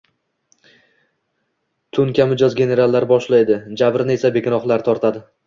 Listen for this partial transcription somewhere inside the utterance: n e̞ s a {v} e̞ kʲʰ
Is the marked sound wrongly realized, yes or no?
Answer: yes